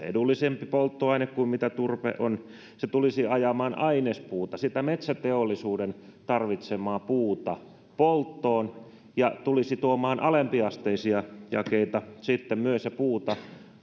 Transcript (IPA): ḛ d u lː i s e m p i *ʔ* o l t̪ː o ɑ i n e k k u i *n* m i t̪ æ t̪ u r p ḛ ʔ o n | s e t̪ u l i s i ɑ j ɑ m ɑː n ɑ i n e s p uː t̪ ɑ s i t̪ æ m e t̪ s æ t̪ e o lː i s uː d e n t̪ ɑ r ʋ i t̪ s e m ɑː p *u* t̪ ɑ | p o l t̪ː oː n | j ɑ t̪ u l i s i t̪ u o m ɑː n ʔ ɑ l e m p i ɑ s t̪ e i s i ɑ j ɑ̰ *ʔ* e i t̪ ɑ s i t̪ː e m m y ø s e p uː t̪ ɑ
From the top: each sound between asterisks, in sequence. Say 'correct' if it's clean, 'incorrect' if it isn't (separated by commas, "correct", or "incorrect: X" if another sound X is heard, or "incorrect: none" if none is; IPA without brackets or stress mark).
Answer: incorrect: p, incorrect: m, incorrect: uː, incorrect: k